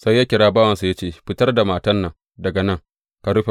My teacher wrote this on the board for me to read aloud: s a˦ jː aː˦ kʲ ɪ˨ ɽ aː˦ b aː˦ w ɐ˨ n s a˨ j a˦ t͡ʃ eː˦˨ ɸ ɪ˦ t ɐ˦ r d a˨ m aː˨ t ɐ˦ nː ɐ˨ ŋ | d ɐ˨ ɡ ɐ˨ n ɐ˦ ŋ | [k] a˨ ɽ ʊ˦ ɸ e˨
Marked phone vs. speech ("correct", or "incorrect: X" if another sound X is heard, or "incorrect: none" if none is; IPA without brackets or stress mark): correct